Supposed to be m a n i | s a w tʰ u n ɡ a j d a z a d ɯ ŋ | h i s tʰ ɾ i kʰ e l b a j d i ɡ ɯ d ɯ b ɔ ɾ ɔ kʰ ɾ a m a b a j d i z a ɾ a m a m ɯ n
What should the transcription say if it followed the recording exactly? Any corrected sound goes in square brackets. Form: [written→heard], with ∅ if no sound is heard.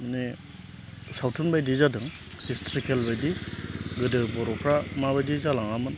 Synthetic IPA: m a n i | s a w tʰ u n [ɡ→b] a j d [a→i] z a d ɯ ŋ | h i s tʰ ɾ i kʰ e l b a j d i ɡ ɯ d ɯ b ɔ ɾ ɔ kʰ ɾ a m a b a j d i z a [ɾ→l] a [m→ŋ] a m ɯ n